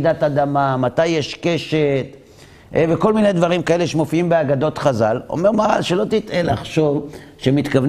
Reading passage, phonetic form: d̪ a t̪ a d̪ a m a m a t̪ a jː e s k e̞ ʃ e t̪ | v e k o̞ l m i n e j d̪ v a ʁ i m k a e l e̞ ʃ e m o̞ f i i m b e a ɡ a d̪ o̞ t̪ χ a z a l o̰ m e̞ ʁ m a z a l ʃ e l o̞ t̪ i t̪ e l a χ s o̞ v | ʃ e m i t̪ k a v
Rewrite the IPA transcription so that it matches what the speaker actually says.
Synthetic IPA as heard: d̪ a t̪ a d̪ a m a m a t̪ a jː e ʃ k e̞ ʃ e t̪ | v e k o̞ l m i n e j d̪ v a ʁ i m k a e l e̞ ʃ e m o̞ f i i m b e a ɡ a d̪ o̞ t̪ χ a z a l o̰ m e̞ ʁ m a ʁ a l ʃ e l o̞ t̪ i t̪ e l a χ ʃ o̞ v | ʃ e m i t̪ k a v